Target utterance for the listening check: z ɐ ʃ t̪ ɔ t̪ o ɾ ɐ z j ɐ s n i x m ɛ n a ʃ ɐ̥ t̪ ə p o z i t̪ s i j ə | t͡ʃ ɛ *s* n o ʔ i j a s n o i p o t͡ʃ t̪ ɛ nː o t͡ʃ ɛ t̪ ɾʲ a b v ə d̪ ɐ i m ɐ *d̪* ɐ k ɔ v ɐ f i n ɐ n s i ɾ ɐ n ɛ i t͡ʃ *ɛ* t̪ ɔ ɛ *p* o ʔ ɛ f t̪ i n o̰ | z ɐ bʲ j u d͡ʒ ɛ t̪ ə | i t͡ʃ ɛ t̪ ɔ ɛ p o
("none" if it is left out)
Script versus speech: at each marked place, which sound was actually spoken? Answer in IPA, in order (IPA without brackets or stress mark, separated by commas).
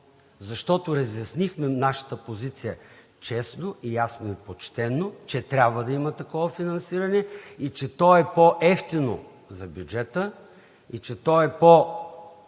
s, t̪, ɛ, p